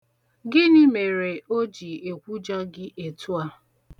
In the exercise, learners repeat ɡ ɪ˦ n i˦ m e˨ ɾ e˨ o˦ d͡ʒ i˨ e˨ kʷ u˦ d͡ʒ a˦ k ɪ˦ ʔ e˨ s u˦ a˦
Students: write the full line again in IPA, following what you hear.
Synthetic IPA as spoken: ɡ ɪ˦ n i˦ m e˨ ɾ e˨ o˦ d͡ʒ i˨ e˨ kʷ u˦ d͡ʒ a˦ ɡ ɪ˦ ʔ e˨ t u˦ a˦